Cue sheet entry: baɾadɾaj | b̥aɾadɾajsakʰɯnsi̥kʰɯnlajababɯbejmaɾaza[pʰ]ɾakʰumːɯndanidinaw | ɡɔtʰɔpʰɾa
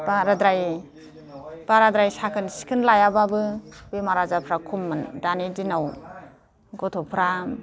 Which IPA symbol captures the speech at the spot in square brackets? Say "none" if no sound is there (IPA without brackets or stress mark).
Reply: pʰ